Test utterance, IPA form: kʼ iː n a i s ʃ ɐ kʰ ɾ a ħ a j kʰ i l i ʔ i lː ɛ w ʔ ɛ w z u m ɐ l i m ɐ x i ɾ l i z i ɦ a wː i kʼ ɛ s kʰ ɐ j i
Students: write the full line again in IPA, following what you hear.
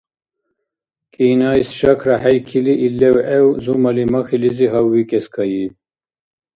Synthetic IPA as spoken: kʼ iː n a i s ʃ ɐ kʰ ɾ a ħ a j kʰ i l i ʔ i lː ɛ w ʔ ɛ w z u m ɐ l i m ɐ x i l i z i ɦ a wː i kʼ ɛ s kʰ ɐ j i